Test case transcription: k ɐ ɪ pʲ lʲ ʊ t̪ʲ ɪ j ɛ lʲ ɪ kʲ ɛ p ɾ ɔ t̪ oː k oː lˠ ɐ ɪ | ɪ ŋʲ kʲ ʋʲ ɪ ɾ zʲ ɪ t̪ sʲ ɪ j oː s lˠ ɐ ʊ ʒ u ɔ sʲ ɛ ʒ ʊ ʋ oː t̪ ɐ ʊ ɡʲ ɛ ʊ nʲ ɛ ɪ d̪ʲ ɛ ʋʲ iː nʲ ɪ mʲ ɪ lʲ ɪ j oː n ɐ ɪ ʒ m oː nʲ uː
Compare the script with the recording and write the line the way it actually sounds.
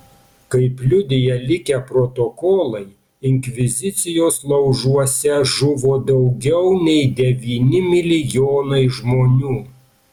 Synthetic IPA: k ɐ ɪ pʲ lʲ ʊ d̪ʲ ɪ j ɛ lʲ ɪ kʲ ɛ p ɾ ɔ t̪ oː k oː lˠ ɐ ɪ | ɪ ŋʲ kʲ ʋʲ ɪ zʲ ɪ t̪ sʲ ɪ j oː s lˠ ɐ ʊ ʒ u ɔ sʲ ɛ ʒ ʊ ʋ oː d̪ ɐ ʊ ɡʲ ɛ ʊ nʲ ɛ ɪ d̪ʲ ɛ ʋʲ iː nʲ ɪ mʲ ɪ lʲ ɪ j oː n ɐ ɪ ʒ m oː nʲ uː